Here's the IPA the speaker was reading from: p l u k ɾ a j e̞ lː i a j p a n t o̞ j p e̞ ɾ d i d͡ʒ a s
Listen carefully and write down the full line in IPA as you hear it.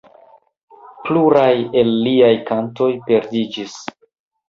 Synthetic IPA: p l u ɾ a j e̞ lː i a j k a n t o̞ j p e̞ ɾ d i d͡ʒ i s